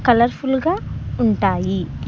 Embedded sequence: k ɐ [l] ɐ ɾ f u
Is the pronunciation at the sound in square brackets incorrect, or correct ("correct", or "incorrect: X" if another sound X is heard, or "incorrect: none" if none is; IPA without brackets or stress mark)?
correct